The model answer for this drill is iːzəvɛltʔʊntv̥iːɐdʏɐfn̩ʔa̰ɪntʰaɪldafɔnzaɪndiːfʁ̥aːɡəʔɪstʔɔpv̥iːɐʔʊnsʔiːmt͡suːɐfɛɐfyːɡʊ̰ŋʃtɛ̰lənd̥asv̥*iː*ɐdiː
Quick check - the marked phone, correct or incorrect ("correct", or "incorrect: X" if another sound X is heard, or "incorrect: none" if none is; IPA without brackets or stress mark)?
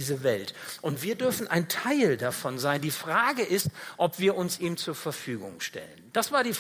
incorrect: aː